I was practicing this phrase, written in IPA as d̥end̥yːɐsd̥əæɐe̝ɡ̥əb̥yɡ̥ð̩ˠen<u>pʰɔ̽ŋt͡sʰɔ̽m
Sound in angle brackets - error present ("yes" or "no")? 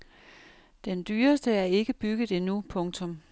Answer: no